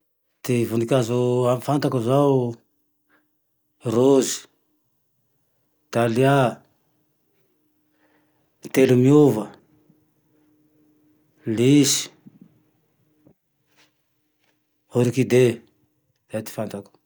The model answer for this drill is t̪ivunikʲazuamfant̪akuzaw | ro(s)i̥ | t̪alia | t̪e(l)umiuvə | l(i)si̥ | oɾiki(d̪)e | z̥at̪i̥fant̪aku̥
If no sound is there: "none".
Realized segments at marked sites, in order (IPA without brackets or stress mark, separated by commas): z, l, i, d̪